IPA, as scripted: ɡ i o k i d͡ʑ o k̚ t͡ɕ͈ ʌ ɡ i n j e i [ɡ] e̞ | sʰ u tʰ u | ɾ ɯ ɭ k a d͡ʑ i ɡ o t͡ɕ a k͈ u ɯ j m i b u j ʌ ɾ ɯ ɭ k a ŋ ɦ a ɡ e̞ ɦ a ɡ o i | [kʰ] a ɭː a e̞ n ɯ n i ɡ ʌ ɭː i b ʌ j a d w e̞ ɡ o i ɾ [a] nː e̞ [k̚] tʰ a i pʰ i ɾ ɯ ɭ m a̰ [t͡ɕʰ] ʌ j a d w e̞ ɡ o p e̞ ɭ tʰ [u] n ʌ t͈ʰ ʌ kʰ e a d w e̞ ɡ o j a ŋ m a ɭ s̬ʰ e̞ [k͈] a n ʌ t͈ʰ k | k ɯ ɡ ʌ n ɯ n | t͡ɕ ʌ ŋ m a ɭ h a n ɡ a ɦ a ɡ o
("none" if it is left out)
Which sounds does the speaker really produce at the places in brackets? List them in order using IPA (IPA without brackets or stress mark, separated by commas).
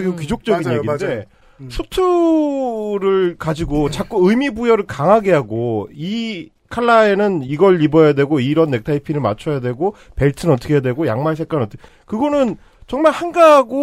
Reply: d, kʰ, ʌ, k̚, t͡ɕʰ, ɯ, k͈